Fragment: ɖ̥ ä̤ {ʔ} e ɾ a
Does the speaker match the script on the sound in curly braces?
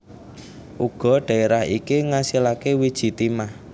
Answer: no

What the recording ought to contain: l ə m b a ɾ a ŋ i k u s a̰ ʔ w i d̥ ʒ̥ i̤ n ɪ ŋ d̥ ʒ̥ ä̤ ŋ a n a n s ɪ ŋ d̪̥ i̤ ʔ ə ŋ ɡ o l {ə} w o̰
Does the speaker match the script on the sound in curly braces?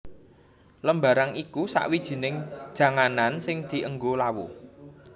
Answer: no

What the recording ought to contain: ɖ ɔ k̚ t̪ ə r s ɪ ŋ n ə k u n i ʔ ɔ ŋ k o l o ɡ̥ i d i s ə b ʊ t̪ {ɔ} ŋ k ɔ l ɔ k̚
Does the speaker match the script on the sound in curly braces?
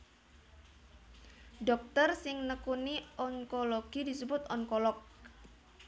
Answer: yes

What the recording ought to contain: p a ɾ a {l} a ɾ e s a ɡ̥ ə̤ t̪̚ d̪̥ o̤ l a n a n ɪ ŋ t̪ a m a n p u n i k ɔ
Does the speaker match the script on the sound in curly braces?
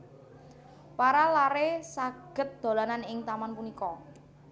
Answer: yes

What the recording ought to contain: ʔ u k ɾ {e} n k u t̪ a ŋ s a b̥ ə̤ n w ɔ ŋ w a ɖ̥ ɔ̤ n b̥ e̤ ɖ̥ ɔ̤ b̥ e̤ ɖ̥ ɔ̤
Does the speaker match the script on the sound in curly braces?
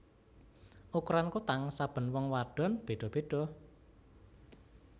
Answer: no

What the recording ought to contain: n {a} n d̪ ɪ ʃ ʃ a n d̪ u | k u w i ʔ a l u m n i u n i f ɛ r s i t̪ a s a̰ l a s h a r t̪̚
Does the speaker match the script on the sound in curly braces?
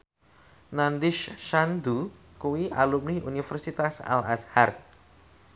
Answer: yes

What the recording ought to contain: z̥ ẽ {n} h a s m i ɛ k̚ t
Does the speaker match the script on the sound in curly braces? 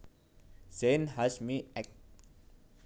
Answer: yes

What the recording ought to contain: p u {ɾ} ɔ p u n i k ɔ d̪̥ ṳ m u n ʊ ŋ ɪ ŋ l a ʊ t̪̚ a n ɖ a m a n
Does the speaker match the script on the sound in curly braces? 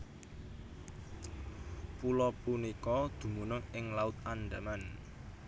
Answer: no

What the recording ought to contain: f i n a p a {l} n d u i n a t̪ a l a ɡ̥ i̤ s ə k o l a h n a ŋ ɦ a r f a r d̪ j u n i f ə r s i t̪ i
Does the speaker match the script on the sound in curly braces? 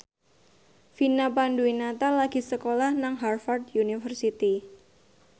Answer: no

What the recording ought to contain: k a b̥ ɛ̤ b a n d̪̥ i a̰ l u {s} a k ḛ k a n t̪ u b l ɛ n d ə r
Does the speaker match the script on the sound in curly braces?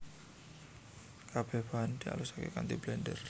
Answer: yes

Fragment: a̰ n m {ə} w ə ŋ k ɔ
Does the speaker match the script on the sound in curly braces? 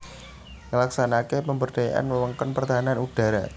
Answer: yes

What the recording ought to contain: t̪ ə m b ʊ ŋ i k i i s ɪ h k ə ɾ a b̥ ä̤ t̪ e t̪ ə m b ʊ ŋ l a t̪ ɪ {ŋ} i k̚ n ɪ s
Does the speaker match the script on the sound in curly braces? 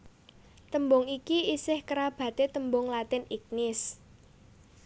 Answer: no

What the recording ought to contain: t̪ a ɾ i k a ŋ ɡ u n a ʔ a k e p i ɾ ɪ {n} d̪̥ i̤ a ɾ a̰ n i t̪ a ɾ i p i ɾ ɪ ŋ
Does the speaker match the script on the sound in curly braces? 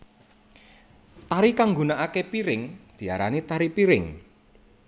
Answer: no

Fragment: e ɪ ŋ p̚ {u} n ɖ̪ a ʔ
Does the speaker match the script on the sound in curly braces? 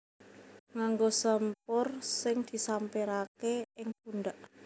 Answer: yes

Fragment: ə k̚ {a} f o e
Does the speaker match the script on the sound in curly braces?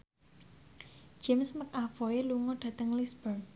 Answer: yes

